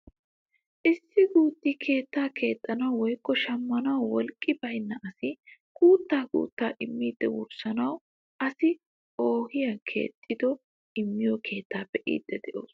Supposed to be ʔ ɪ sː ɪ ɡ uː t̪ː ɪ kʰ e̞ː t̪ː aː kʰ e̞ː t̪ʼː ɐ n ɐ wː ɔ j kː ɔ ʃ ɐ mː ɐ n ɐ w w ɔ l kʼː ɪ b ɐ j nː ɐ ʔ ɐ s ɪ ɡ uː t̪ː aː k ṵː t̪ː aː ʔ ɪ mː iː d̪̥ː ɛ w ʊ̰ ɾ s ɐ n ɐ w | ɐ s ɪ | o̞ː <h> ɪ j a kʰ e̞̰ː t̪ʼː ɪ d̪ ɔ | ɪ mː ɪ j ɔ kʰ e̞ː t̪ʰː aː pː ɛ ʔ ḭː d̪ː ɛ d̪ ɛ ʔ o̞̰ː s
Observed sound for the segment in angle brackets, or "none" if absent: h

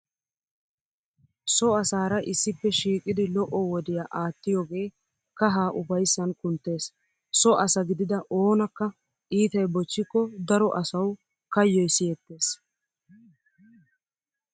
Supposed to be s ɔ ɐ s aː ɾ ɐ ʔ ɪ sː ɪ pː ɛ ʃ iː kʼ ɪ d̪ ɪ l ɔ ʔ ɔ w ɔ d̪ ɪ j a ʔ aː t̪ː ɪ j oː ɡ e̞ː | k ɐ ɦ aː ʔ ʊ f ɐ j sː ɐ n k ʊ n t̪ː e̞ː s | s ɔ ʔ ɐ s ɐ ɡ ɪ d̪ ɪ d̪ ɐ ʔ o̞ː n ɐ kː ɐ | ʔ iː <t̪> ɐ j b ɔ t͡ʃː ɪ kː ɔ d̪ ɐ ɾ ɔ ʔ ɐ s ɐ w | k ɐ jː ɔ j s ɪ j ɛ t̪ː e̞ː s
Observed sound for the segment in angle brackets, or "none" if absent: t̪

